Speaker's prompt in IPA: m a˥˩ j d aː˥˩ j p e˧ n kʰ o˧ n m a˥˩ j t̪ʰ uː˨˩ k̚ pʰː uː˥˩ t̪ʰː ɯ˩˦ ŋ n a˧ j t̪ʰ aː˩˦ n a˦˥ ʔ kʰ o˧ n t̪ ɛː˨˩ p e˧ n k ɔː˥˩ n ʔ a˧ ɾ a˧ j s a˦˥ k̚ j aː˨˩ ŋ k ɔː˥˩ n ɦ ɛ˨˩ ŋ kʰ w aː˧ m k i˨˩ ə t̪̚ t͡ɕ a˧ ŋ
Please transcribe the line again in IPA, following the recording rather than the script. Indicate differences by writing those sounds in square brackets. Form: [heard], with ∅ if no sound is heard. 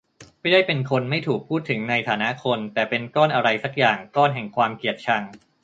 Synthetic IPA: m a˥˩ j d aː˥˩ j p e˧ n kʰ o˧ n m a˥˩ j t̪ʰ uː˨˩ k̚ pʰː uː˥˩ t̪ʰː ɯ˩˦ ŋ n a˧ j t̪ʰ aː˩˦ n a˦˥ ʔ kʰ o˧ n t̪ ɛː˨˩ p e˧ n k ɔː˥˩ n ʔ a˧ ɾ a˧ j s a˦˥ k̚ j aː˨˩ ŋ k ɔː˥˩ n ɦ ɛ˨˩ ŋ kʰ w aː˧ m k i˨˩ ə t̪̚ [t͡ɕʰ] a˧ ŋ